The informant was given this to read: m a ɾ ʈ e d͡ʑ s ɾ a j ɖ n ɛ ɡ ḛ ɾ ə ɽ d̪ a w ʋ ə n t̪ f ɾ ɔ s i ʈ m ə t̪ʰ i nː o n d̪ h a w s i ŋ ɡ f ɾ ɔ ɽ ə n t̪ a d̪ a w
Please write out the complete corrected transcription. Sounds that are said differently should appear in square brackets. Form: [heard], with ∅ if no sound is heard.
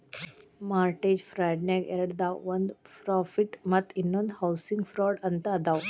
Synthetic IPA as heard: m a ɾ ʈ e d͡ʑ [f] ɾ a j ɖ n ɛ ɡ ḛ ɾ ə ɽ d̪ a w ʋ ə n [d̪] f ɾ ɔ [f] i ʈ m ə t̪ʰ i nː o n d̪ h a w s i ŋ ɡ f ɾ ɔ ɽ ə n t̪ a d̪ a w